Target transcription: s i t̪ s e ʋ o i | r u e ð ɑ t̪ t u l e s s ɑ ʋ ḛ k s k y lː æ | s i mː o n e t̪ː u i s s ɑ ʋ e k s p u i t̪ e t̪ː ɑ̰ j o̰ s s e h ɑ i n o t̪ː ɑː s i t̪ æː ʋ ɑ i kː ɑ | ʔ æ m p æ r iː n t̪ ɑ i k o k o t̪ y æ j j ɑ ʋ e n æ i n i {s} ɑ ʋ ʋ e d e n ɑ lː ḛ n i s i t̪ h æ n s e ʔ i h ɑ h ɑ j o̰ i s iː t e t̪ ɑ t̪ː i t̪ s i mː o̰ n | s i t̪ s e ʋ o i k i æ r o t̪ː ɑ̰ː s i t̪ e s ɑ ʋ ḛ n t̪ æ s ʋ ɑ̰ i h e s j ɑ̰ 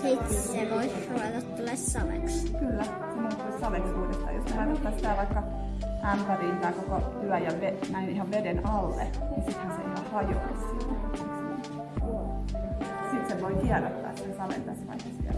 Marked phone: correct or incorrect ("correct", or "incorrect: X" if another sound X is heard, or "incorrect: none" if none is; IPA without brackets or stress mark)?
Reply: incorrect: h